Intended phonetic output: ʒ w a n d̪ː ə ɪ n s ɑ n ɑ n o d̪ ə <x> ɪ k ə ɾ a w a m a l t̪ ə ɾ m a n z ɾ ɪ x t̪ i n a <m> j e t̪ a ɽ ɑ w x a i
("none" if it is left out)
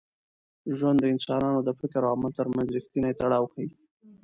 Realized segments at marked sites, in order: f, none

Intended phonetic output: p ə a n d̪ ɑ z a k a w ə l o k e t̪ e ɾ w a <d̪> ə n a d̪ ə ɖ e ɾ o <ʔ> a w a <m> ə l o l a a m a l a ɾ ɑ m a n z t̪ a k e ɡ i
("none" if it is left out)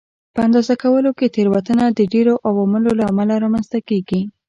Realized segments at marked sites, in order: t̪, ʔ, m

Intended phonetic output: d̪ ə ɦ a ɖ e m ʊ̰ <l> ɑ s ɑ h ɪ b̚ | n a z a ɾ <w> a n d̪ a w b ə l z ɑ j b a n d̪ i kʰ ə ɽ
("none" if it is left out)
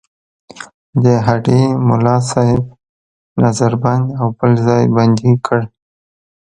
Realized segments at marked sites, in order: l, b

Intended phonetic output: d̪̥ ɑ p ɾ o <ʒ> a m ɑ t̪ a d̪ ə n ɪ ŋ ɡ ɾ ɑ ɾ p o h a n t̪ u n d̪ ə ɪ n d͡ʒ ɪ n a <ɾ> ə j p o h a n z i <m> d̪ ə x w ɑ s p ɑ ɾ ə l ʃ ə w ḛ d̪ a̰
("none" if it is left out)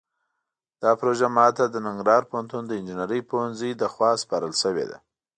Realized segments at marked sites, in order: ʒ, ɾ, none

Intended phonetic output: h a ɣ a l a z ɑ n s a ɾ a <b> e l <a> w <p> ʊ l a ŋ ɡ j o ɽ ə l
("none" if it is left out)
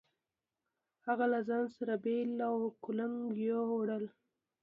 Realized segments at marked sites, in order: b, a, k

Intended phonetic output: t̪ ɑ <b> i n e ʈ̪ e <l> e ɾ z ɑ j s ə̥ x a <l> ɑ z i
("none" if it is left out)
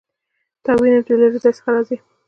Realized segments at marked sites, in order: w, l, ɾ

